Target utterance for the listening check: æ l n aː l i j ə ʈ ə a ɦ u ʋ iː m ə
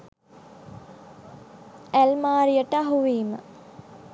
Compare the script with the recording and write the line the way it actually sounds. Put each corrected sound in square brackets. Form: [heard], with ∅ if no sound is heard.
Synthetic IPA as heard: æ l [m] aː [ɾ] i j ə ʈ ə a ɦ u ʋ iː m ə